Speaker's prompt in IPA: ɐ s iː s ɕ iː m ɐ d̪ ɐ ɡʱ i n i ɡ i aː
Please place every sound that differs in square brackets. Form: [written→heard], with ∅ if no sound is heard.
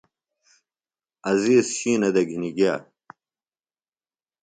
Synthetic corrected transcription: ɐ [s→z] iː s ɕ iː [m→n] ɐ d̪ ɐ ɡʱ i n i ɡ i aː